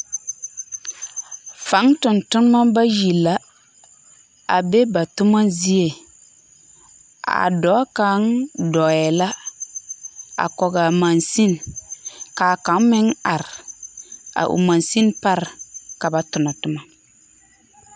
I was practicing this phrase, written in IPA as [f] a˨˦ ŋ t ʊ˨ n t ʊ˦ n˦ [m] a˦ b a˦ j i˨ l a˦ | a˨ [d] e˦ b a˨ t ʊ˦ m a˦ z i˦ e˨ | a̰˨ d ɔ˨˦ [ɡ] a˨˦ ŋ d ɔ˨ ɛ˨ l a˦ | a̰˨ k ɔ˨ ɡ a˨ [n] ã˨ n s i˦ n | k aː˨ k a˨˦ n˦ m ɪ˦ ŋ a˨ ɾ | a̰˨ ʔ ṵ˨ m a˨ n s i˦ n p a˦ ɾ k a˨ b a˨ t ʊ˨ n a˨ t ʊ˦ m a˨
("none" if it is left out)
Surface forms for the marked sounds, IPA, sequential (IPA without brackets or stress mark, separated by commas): f, m, b, k, m